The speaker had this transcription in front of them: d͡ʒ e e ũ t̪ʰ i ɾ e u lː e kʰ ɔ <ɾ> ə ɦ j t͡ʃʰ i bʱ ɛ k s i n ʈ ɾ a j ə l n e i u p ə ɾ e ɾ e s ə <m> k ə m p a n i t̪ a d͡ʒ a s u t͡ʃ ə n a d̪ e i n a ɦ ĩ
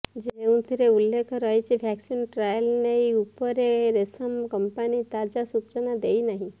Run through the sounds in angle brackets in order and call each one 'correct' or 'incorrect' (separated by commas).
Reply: correct, correct